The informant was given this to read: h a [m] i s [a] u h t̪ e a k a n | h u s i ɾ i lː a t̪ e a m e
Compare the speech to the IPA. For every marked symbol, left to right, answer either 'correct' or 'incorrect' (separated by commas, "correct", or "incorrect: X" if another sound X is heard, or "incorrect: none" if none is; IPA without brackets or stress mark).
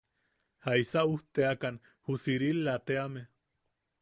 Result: incorrect: none, correct